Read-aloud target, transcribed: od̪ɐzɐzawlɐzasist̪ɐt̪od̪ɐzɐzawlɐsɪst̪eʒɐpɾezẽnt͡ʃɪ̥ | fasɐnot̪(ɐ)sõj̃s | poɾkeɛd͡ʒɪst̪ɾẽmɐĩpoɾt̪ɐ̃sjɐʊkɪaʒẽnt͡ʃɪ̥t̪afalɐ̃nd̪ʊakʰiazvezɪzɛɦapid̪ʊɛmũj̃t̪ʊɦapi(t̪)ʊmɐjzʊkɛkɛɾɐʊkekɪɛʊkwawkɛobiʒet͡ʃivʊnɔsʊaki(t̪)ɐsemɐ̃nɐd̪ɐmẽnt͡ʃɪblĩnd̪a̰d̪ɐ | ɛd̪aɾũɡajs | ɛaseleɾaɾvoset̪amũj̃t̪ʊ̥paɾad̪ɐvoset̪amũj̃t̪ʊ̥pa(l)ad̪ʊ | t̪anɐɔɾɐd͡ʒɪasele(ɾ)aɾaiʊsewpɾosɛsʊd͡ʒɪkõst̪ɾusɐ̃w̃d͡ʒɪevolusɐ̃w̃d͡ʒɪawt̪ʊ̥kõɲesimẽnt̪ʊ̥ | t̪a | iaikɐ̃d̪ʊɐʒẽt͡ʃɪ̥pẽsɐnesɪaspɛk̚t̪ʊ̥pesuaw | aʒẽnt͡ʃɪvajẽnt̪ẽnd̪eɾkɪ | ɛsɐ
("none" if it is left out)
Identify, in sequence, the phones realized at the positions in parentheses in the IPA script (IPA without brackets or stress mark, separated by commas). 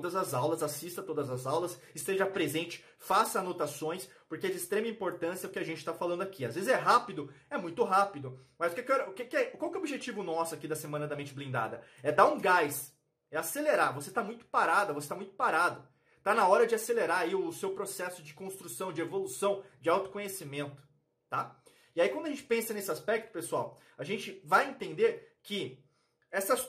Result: a, d̪, d̪, ɾ, ɾ